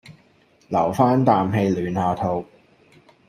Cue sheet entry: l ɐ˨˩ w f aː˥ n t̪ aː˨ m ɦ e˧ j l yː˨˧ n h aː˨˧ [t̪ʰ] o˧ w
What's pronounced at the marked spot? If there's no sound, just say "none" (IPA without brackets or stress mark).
t̪ʰ